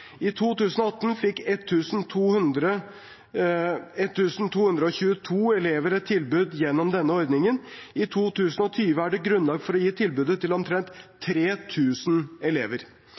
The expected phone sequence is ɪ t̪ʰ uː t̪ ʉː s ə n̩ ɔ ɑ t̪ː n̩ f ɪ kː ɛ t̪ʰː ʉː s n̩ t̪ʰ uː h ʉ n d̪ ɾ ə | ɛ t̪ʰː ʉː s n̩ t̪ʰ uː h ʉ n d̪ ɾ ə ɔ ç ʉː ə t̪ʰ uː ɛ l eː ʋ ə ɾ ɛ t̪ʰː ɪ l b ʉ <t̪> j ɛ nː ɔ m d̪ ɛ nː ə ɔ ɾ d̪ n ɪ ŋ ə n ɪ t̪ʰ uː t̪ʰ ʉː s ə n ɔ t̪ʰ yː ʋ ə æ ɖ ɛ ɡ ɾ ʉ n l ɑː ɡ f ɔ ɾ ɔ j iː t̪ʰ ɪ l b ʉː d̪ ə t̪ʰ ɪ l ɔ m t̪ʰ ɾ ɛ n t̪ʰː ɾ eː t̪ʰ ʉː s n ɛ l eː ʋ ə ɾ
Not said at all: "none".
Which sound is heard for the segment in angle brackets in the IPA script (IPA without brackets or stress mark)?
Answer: d̪